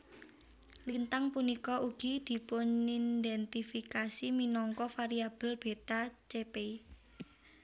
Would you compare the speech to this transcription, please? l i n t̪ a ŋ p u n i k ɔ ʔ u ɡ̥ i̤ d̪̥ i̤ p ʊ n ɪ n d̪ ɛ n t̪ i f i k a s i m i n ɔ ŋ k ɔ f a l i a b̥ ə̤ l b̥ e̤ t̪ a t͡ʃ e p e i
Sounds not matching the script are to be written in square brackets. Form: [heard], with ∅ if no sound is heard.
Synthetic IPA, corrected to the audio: l i n t̪ a ŋ p u n i k ɔ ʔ u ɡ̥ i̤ d̪̥ i̤ p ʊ n [i] n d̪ ɛ n t̪ i f i k a s i m i n ɔ ŋ k ɔ f a [ɾ] i a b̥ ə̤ l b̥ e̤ t̪ a t͡ʃ e p e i